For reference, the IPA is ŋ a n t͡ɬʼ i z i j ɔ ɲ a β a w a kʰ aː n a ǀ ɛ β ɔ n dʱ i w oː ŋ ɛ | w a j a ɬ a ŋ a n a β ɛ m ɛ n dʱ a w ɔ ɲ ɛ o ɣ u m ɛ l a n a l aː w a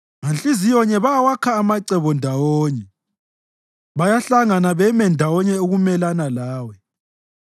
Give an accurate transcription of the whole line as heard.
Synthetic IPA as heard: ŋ a n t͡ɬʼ i z i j ɔ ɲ ɛ β a w a kʰ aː m a ǀ ɛ β ɔ n dʱ a w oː ɲ ɛ | β a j a ɬ a ŋ a n a β ɛ m ɛ n dʱ a w ɔ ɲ ɛ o ɣ u m ɛ l a n a l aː w ɛ